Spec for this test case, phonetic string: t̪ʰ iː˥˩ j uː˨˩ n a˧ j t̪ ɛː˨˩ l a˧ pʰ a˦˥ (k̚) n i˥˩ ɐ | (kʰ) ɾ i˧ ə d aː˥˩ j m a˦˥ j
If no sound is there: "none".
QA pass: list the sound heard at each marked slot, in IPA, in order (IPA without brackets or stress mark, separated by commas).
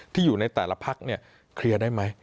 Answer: k̚, kʰ